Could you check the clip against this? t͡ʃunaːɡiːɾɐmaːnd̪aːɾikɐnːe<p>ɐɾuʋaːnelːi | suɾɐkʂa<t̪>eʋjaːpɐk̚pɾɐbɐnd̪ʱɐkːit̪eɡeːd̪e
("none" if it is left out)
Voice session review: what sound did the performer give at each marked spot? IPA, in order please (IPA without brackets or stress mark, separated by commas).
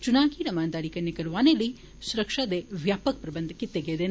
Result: k, d̪